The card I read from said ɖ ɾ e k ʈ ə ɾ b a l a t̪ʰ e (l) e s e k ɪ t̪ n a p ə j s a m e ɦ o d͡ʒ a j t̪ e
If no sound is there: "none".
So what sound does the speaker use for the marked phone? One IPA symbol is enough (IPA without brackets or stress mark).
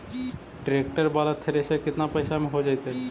ɾ